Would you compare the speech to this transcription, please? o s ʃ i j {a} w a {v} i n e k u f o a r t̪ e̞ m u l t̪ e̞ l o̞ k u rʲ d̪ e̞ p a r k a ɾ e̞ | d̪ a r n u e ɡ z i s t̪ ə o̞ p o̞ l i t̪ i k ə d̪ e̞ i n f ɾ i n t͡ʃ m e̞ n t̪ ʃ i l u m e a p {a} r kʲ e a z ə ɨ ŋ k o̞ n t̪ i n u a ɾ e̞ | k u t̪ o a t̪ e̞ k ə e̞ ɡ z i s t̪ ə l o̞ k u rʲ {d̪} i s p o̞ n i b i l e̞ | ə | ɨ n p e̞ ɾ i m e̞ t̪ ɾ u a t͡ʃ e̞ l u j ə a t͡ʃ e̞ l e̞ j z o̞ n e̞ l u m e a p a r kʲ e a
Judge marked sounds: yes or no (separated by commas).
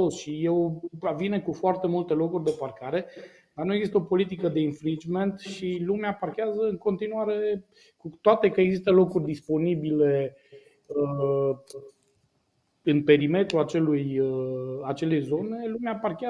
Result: no, yes, yes, yes